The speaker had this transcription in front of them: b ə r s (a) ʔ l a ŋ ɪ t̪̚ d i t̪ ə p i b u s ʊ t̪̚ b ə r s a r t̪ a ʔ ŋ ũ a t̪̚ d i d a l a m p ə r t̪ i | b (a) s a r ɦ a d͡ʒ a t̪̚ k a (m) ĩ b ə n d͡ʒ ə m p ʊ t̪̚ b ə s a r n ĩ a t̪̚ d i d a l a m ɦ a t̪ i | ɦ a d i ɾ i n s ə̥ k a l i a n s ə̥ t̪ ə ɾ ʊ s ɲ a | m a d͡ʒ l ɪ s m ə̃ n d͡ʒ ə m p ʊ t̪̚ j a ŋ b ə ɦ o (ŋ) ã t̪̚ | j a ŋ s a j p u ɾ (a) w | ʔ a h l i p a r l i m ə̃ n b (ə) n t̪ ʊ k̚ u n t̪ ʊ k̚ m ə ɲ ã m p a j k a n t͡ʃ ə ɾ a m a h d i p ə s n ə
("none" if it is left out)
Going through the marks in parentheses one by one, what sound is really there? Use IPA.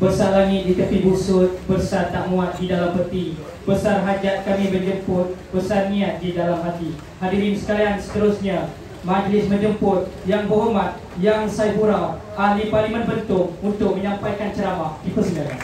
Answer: a, ə, m, m, a, ə

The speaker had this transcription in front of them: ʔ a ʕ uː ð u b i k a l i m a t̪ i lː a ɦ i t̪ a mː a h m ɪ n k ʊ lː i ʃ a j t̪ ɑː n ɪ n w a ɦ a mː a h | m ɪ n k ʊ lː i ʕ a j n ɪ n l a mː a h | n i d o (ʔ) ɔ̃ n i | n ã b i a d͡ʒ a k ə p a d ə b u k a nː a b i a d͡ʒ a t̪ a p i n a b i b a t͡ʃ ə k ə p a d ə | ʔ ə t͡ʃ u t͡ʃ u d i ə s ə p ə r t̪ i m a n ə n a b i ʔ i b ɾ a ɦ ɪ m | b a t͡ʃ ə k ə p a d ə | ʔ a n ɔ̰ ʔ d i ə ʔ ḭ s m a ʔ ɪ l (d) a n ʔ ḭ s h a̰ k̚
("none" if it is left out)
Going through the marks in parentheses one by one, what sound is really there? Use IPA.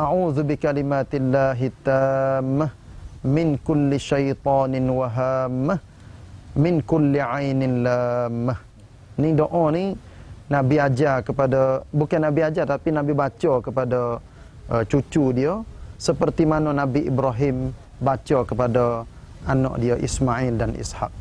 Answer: ʔ, d

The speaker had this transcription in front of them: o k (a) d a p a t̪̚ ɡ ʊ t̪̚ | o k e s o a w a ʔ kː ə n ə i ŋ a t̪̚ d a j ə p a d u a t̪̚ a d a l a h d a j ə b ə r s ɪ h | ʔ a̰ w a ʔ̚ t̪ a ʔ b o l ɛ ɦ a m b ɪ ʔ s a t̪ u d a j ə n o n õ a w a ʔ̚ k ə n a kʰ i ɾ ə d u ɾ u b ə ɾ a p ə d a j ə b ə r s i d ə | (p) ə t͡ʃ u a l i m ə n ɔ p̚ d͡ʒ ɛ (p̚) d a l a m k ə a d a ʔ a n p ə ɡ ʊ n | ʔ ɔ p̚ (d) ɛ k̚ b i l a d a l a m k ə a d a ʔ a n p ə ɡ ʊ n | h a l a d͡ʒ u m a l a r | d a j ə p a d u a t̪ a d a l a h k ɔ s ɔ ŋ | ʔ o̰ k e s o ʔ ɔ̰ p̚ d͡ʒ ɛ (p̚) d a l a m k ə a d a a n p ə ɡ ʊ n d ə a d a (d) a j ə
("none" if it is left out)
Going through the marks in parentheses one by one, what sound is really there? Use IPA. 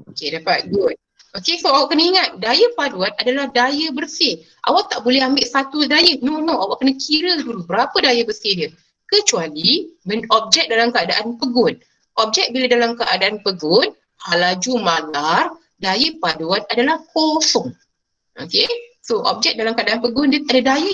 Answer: e, k, k̚, d͡ʒ, k̚, d

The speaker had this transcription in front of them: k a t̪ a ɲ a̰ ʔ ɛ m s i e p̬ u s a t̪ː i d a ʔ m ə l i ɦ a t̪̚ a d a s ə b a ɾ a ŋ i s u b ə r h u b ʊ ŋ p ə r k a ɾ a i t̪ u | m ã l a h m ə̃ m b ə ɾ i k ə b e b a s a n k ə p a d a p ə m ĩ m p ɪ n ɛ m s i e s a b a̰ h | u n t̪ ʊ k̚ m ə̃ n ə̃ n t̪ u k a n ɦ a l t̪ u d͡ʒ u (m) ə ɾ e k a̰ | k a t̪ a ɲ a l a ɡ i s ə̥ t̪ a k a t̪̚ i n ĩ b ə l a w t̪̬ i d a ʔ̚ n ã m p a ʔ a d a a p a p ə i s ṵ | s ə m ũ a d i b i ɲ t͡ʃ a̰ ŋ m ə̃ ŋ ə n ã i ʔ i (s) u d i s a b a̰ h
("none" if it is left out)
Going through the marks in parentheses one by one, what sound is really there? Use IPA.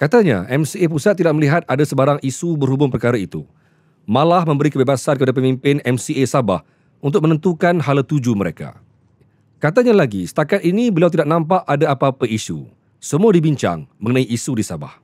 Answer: m, s

